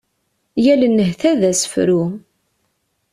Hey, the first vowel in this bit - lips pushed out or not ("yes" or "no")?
no